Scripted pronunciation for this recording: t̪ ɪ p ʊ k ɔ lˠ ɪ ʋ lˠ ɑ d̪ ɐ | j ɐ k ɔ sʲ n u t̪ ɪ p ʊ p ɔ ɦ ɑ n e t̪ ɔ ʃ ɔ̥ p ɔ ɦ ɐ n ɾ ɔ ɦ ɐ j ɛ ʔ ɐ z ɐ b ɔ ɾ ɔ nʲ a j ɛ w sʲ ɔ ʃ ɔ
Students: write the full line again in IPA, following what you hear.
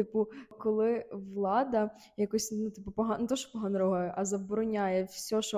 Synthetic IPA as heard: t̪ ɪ p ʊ k ɔ lˠ ɪ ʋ lˠ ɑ d̪ ɐ | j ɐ k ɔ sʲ n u t̪ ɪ p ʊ p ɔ ɦ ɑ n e t̪ ɔ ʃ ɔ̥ p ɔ ɦ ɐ n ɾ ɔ ɦ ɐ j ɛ ʔ ɐ z ɐ b ɔ ɾ ɔ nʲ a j ɛ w sʲ ɔ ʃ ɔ